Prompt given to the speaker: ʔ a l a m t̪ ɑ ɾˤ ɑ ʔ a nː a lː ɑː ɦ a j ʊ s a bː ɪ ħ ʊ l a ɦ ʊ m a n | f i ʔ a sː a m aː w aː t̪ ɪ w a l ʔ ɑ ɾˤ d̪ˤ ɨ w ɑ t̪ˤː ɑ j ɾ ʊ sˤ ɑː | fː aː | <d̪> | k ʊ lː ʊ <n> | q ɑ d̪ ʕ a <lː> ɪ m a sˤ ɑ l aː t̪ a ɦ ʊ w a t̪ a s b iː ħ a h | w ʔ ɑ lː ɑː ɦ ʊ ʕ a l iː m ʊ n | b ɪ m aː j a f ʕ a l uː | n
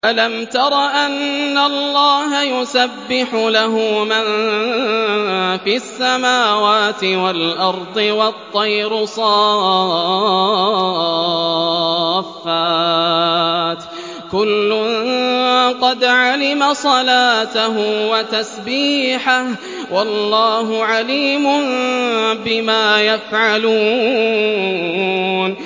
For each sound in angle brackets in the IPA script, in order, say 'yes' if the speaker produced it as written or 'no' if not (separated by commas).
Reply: no, yes, no